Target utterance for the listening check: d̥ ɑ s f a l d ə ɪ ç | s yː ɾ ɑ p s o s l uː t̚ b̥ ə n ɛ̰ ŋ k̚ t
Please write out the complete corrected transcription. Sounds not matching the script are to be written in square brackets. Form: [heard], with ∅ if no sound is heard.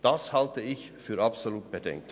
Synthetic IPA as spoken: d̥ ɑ s [h] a l [t] ə ɪ ç | [f] yː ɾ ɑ p s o [∅] l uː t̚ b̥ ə [d] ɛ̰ ŋ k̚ t